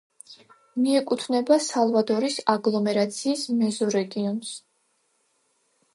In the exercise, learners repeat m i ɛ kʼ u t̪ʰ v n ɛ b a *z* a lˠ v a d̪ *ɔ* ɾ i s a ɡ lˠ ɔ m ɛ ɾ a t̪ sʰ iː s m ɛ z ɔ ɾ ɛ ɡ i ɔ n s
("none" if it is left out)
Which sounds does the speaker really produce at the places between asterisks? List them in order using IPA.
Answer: s, ɔ

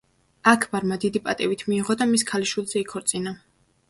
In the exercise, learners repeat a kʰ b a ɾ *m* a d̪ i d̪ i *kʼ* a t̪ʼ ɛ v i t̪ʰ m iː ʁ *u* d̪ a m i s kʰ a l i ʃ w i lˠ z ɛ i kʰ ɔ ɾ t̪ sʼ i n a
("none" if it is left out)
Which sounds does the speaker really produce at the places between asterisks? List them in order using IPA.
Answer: m, pʼ, ɔ

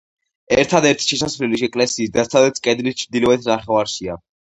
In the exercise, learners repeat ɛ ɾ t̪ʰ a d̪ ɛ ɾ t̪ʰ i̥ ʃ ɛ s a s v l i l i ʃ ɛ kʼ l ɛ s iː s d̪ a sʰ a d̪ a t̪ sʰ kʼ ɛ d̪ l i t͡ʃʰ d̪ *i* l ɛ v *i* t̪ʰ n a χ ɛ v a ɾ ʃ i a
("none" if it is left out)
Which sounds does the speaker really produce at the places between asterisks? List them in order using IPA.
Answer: i, ɛ

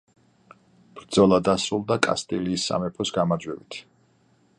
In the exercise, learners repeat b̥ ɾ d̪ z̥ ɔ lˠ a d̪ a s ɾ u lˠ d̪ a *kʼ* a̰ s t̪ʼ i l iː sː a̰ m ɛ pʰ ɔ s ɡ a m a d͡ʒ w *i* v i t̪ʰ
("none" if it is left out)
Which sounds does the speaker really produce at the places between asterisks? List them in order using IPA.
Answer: kʼ, ɛ

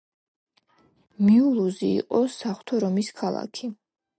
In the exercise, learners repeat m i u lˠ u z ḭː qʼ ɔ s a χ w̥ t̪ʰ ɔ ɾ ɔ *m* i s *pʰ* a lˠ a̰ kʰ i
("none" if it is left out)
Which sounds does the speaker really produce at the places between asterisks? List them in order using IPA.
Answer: m, kʰ

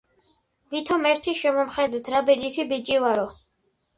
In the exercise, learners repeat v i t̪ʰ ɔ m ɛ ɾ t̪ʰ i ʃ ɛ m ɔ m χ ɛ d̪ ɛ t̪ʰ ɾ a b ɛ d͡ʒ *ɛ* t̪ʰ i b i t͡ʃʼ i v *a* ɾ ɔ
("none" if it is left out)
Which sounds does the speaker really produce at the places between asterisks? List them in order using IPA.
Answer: i, a

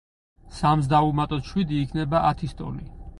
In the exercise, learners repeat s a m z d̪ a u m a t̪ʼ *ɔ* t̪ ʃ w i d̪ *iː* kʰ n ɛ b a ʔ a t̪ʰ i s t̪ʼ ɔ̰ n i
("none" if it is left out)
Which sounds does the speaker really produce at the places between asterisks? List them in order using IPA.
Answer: ɔ, iː

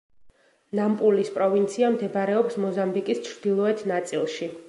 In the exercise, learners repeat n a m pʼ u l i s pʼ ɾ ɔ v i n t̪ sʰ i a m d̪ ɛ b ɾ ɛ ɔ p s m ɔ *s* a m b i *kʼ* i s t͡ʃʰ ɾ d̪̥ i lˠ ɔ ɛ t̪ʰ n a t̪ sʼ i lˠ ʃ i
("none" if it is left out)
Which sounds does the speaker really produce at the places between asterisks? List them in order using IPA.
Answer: z, kʼ

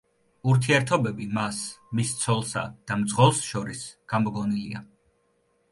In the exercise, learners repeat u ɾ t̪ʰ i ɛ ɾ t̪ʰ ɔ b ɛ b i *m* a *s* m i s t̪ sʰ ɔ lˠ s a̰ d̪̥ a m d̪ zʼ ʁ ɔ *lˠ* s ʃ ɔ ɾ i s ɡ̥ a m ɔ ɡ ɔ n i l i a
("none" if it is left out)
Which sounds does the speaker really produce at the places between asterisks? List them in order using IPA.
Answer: m, s, lˠ

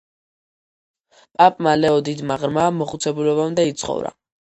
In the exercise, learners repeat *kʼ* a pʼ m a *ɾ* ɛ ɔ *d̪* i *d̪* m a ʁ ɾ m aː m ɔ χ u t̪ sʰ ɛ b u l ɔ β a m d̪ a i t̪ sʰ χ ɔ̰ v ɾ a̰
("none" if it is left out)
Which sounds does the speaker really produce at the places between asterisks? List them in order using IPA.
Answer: pʼ, l, d̪, d̪

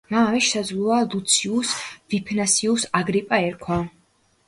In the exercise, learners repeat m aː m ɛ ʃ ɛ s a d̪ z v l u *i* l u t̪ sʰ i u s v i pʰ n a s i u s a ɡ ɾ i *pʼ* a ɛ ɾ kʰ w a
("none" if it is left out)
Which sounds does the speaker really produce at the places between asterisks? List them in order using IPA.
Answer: a, pʼ

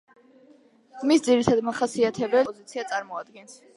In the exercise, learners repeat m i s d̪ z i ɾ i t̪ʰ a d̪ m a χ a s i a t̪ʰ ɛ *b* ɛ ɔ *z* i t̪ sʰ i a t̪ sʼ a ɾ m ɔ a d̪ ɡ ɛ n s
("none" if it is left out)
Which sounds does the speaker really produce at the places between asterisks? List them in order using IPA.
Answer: b, z

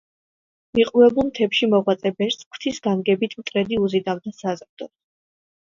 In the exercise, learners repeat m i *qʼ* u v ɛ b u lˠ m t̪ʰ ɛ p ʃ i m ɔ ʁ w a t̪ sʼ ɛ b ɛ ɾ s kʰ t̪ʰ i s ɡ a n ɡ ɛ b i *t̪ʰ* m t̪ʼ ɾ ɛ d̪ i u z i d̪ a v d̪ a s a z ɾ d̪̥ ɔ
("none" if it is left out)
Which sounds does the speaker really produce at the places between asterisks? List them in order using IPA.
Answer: qʼ, t̪ʰ

